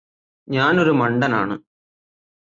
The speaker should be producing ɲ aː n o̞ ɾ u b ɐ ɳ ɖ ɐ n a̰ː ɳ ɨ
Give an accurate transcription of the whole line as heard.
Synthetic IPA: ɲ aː n o̞ ɾ u m ɐ ɳ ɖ ɐ n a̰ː ɳ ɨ